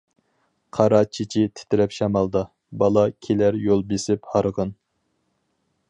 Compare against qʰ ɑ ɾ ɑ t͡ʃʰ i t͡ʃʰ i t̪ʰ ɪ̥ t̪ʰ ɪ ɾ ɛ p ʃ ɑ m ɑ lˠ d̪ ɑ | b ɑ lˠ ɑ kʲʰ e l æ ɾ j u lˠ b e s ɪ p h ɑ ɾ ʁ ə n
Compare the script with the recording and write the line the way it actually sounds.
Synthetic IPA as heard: qʰ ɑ ɾ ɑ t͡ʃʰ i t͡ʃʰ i t̪ʰ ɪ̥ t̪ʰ ɪ ɾ ɛ p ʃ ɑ m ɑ lˠ d̪ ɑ | b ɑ lˠ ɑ kʲʰ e l æ ɾ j o lˠ b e s ɪ p h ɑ ɾ ʁ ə n